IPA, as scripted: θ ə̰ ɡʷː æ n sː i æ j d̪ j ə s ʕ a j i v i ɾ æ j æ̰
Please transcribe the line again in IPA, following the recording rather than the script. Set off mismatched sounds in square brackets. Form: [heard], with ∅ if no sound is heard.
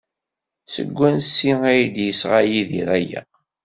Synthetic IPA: [s] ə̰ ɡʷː æ n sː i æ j d̪ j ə s [ʁ] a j i [ð] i ɾ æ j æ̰

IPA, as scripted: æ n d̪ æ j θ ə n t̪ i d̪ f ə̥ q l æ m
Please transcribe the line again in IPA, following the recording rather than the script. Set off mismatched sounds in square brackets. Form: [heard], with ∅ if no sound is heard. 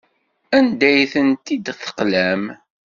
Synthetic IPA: æ n d̪ æ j θ ə n t̪ i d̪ [θ] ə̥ q l æ m

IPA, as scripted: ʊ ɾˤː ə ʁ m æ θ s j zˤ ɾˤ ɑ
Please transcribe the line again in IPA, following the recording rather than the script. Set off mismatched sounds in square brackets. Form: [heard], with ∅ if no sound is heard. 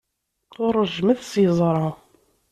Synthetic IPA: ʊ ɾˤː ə [ʒ] m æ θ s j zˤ ɾˤ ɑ

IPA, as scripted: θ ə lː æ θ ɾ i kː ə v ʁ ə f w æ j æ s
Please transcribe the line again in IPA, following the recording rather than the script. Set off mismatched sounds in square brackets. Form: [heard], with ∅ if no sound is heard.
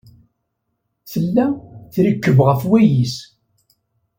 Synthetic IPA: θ ə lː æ θ ɾ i kː ə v ʁ ə f w æ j [i] s

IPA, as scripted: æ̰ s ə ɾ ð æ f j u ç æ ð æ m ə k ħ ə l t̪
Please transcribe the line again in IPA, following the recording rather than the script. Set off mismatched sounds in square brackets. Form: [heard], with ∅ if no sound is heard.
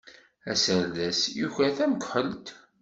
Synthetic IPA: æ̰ s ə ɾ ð æ [s] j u ç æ [θ] æ m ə k ħ ə l t̪

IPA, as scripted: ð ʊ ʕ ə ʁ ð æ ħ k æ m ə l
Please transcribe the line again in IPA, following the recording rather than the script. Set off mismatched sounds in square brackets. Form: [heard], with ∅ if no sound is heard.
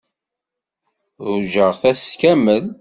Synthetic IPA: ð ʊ [ʒ] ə ʁ [θ] æ [s] k æ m ə l

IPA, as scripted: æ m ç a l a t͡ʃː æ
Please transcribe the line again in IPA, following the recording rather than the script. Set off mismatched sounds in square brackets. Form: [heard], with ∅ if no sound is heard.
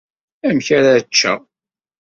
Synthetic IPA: æ m ç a [ɾ] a t͡ʃː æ

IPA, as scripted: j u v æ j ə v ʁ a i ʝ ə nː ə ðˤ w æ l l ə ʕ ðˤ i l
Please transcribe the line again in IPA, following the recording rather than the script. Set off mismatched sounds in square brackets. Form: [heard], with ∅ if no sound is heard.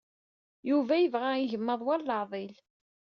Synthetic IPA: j u v æ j ə v ʁ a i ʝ ə [mː] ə ðˤ w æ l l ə ʕ ðˤ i l

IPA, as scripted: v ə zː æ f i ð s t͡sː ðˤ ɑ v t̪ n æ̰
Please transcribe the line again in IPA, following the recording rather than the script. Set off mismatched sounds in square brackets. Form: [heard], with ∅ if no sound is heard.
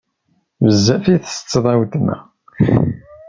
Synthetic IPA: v ə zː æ f i [θ] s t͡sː ðˤ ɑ [w] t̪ n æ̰

